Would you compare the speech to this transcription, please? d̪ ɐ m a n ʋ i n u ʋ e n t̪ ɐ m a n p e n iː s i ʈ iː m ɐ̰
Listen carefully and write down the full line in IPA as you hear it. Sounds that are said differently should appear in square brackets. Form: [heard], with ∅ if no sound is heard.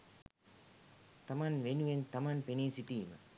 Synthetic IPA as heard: [t̪] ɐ m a n ʋ [e] n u ʋ e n t̪ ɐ m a n p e n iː s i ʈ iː m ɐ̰